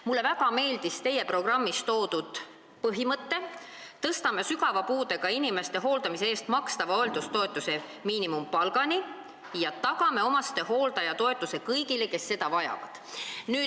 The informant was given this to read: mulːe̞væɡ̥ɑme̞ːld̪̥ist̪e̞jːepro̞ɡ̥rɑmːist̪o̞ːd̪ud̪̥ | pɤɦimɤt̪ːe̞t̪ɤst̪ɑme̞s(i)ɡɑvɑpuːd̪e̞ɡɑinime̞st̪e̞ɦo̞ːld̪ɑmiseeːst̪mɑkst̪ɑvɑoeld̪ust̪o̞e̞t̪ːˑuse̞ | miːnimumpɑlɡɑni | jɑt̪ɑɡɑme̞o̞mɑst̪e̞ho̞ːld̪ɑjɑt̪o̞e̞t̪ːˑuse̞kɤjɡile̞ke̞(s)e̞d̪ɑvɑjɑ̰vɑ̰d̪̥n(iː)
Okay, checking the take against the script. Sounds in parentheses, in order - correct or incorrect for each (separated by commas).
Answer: incorrect, incorrect, incorrect